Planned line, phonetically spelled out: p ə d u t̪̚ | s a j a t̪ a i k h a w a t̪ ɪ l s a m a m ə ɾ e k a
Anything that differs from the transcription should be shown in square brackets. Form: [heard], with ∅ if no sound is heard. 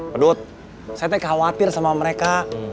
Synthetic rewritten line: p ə d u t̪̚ | s a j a t̪ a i k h a w a t̪ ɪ [r] s a m a m ə ɾ e k a

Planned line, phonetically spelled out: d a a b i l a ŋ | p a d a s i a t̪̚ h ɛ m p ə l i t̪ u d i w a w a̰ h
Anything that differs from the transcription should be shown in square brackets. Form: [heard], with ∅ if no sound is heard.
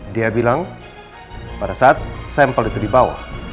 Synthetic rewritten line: d [i] a b i l a ŋ | p a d a s [a] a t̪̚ [s] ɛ m p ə l i t̪ u d i [b] a w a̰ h

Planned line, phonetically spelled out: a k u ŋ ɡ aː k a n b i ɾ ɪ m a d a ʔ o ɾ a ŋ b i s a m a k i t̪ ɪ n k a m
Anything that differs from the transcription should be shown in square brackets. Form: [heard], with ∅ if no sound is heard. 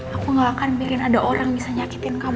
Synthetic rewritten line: a k u ŋ ɡ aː k a n b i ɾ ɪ [n] a d a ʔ o ɾ a ŋ b i s a [ɲ] a k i t̪ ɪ n k a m

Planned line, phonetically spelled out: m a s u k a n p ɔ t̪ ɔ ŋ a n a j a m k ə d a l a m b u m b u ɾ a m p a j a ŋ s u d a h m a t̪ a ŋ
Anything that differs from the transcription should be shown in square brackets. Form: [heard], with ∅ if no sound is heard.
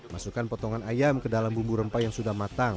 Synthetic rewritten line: m a s u k a n p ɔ t̪ ɔ ŋ a n a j a m k ə d a l a m b u m b u ɾ [ə] m p a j a ŋ s u d a h m a t̪ a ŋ

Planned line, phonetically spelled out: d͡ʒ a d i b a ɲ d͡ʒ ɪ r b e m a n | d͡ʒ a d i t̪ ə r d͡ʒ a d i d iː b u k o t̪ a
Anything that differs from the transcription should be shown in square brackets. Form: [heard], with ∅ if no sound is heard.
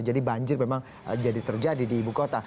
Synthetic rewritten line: d͡ʒ a d i b a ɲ d͡ʒ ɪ r [m] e m a [ŋ] | d͡ʒ a d i t̪ ə r d͡ʒ a d i d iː b u k o t̪ a

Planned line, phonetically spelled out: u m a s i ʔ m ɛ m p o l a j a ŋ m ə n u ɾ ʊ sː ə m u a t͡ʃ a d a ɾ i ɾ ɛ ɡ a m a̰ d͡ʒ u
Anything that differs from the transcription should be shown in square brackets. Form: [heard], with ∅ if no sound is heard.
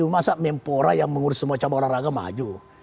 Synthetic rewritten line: u m a s [a] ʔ m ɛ m p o [ɾ] a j a ŋ m ə [ŋ] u ɾ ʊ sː ə m u a t͡ʃ a [b] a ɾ [a] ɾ [a] ɡ a m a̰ d͡ʒ u

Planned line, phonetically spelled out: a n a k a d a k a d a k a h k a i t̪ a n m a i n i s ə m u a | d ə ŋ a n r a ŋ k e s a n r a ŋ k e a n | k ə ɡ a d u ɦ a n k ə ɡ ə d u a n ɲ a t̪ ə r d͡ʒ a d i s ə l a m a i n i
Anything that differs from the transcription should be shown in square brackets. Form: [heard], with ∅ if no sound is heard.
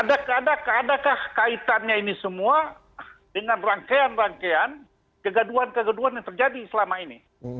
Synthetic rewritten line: a [d] a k a d a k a d a k a h k a i t̪ a n [ɲ] a i n i s ə m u a | d ə ŋ a n r a ŋ k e [∅] a n r a ŋ k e a n | k ə ɡ a d u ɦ a n k ə ɡ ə d u a n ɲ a t̪ ə r d͡ʒ a d i s ə l a m a i n i

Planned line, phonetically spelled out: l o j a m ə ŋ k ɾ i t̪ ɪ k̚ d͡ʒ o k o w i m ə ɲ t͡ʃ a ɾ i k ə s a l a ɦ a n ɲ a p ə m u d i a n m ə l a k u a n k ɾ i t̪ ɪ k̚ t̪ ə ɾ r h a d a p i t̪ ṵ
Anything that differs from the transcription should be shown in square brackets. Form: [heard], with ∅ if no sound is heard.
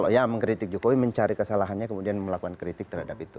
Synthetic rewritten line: l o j a m ə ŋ k ɾ i t̪ ɪ k̚ d͡ʒ o k o w i m ə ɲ t͡ʃ a ɾ i k ə s a l a ɦ a n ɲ a [k] ə m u d i a n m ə l a k u a n k ɾ i t̪ ɪ k̚ t̪ ə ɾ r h a d a p i t̪ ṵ

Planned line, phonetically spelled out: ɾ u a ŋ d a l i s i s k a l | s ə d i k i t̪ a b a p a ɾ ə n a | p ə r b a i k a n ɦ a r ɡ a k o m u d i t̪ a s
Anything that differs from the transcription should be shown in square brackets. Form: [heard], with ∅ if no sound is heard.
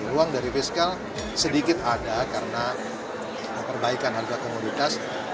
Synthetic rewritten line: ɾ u a ŋ d a [ɾ] i [f] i s k a l | s ə d i k [ɪ] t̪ a [d] a [k] a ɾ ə n a | p ə r b a i k a n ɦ a r ɡ a k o m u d i t̪ a s

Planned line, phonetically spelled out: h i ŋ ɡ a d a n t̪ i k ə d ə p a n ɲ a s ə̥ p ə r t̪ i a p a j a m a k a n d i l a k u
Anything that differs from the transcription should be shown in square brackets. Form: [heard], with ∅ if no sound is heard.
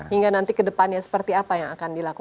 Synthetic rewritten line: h i ŋ ɡ a [n] a n t̪ i k ə d ə p a n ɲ a s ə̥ p ə r t̪ i a p a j a [ŋ] a k a n d i l a k u

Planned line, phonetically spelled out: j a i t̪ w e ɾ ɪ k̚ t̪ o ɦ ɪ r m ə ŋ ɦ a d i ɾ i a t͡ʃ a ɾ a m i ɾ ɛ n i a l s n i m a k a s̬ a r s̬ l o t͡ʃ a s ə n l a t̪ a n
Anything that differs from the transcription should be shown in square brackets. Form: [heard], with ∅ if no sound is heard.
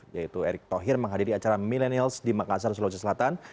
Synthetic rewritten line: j a i t̪ [u] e ɾ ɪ k̚ t̪ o ɦ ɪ r m ə ŋ ɦ a d i ɾ i a t͡ʃ a ɾ a m i [l] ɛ n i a l s [d] i m a k a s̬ a r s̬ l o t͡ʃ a s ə [∅] l a t̪ a n

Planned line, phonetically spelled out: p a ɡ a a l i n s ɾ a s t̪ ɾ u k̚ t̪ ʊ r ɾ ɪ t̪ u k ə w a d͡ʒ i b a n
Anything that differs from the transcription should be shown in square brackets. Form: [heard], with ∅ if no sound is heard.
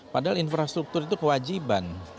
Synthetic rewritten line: p a [d] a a l i n [f] ɾ a s t̪ ɾ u k̚ t̪ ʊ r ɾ [i] t̪ u k ə w a d͡ʒ i b a n

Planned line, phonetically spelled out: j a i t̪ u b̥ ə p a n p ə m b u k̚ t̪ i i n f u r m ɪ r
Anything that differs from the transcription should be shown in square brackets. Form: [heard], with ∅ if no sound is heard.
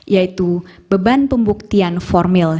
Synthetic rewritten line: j a i t̪ u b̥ ə [b] a n p ə m b u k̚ t̪ i [a] n f [ɔ] r m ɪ [l]

